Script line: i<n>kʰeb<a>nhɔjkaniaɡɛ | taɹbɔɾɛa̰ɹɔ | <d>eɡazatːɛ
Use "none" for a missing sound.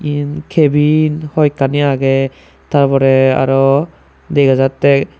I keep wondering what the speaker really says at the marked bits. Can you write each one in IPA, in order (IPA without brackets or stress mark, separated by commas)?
n, i, d